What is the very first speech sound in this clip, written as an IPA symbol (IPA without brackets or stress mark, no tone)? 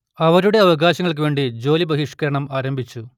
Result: ɐ